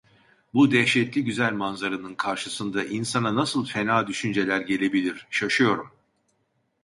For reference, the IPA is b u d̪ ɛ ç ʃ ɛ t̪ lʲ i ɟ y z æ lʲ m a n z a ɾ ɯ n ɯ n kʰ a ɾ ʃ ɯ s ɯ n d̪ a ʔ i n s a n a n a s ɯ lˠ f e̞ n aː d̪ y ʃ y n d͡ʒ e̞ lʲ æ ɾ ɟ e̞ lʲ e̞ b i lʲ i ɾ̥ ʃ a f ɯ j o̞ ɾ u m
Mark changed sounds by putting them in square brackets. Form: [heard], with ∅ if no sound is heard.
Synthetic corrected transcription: b u d̪ ɛ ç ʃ ɛ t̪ lʲ i ɟ y z æ lʲ m a n z a ɾ ɯ n ɯ n kʰ a ɾ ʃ ɯ s ɯ n d̪ a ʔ i n s a n a n a s ɯ lˠ f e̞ n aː d̪ y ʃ y n d͡ʒ e̞ lʲ æ ɾ ɟ e̞ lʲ e̞ b i lʲ i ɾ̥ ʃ a [ʃ] ɯ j o̞ ɾ u m